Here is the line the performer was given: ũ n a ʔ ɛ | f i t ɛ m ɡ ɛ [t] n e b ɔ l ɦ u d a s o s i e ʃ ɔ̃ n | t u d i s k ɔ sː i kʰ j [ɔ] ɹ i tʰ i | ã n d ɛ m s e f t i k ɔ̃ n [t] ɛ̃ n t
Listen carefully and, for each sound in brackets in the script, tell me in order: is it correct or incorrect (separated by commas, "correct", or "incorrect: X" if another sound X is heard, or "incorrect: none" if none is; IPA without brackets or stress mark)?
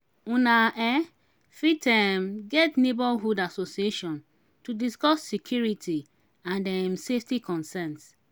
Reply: correct, incorrect: u, incorrect: s